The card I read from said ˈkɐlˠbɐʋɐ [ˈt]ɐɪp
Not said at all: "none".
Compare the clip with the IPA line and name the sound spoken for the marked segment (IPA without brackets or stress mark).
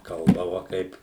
k